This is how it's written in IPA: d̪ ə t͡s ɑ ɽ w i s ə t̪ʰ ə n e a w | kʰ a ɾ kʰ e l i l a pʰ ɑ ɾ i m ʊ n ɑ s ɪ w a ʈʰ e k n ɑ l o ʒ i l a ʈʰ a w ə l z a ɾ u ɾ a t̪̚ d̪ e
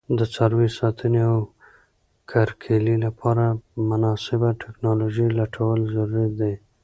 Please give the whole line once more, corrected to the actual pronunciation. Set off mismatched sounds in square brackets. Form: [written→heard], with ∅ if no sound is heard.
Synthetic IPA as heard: d̪ ə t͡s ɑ [ɽ→ɾ] w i s [ə→ɑ] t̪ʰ ə n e a w | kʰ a ɾ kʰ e l i l a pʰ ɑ ɾ [i→a] m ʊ n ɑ s ɪ [w→b] a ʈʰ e k n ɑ l o ʒ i l a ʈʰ a w ə l z a ɾ u ɾ a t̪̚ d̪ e